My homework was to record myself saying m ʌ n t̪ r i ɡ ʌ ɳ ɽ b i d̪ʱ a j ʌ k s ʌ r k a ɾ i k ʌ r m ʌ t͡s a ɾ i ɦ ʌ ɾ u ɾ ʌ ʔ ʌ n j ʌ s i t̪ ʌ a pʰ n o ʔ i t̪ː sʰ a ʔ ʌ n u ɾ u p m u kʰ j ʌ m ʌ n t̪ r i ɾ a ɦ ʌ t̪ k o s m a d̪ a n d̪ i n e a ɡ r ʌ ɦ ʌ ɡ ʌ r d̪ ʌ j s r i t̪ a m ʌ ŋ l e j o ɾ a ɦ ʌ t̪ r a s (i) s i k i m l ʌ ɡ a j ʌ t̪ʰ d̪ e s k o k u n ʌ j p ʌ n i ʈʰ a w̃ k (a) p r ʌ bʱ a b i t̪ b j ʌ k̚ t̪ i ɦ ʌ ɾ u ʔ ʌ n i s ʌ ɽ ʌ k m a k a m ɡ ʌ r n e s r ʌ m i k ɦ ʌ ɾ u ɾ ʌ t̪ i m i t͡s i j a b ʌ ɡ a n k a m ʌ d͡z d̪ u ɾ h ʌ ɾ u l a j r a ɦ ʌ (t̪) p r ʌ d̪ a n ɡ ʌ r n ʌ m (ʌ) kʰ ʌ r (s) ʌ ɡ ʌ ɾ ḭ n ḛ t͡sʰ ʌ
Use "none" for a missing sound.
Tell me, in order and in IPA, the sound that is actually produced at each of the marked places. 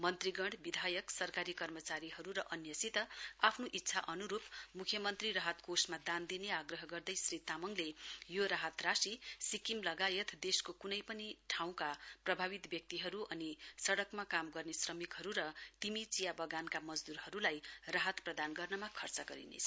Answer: i, a, t̪, a, t͡s

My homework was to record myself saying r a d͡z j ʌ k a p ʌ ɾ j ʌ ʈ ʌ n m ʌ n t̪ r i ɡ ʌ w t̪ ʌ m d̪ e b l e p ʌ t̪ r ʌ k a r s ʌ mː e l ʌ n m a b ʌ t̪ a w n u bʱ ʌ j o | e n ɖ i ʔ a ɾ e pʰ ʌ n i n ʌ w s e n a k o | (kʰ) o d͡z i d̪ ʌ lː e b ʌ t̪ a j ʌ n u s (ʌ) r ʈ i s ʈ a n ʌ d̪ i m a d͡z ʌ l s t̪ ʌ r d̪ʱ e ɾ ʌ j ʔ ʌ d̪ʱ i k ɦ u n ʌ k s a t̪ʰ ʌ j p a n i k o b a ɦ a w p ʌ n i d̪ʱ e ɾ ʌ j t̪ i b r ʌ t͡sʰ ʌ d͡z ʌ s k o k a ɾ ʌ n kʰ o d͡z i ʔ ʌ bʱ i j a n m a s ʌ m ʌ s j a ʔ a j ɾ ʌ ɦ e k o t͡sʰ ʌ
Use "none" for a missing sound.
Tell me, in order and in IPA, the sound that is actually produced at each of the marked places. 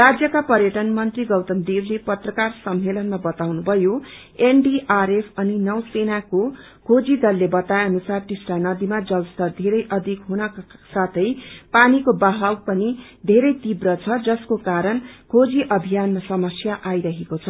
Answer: kʰ, a

